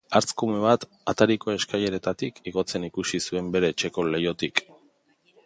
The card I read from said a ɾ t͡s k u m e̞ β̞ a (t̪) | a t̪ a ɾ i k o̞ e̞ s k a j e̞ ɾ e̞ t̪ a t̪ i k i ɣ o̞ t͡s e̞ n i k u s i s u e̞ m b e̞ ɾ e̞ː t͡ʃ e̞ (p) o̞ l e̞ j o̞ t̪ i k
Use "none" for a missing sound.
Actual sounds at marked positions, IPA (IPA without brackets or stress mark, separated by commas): t̪, k